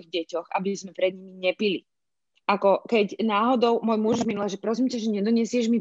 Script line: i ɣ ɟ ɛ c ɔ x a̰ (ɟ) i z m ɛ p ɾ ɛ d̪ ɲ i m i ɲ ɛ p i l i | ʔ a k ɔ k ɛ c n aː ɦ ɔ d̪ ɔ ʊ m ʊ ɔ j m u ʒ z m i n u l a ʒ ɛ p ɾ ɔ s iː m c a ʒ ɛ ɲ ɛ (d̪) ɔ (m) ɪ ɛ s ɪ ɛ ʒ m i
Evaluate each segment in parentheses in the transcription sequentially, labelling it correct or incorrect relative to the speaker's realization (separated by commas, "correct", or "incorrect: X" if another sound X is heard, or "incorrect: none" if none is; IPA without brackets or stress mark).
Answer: incorrect: b, correct, incorrect: ɲ